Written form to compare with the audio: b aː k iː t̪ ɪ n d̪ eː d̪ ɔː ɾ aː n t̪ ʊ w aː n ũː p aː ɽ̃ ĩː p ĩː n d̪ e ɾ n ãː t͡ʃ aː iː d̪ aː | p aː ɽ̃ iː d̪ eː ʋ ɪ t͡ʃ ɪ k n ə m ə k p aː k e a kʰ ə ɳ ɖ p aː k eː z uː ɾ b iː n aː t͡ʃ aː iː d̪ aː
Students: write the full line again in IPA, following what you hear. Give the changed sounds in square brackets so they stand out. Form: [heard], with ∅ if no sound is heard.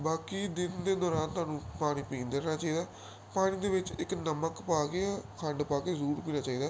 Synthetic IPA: b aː k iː [d̪] ɪ n d̪ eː d̪ ɔː ɾ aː n t̪ ʊ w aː n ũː p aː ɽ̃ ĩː p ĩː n d̪ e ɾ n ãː t͡ʃ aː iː d̪ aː | p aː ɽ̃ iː d̪ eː ʋ ɪ t͡ʃ ɪ k n ə m ə k p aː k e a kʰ ə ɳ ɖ p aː k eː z uː ɾ [p] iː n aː t͡ʃ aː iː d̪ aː